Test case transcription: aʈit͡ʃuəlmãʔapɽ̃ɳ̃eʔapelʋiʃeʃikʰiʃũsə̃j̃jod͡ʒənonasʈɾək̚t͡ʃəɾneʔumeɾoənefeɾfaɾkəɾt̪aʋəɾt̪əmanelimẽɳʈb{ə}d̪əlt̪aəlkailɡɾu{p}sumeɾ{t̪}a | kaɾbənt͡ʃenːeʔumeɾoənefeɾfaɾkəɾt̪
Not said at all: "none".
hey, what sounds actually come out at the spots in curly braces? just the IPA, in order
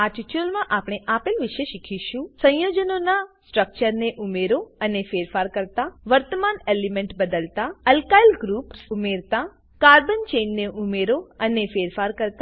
ə, p, t̪

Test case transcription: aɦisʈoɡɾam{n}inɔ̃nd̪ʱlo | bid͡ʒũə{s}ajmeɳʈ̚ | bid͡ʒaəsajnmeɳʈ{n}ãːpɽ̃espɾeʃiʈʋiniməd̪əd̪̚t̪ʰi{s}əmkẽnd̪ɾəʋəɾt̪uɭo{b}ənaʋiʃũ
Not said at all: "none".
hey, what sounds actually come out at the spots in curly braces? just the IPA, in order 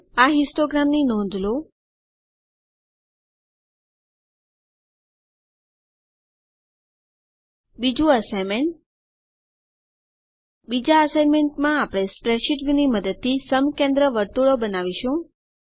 n, s, m, s, b

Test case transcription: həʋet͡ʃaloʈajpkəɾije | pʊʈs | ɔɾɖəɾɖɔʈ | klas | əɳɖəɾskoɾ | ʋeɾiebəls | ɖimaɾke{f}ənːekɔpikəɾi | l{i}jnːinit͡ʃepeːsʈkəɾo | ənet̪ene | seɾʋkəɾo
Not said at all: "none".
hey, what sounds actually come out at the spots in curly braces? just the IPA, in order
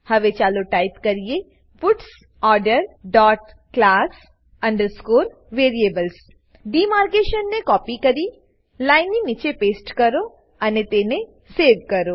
ʃ, a

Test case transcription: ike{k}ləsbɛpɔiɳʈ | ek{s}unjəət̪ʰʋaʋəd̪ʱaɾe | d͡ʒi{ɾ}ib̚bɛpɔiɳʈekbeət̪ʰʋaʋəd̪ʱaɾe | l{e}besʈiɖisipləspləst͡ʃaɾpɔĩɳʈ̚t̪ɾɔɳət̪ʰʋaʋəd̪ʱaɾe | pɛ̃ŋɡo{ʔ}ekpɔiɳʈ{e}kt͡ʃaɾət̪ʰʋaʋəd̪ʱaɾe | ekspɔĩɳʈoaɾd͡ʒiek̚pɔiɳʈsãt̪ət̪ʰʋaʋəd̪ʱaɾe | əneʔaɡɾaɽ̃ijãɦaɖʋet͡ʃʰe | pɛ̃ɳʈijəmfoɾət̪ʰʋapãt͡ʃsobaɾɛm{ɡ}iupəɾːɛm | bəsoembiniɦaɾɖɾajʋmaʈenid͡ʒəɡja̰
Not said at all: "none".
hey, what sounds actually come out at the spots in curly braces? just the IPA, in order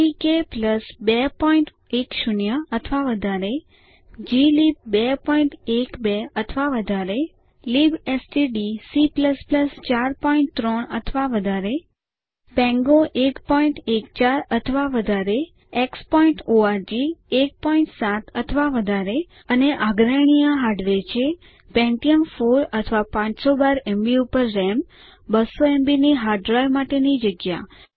p, ʃ, l, i, ʔ, e, b

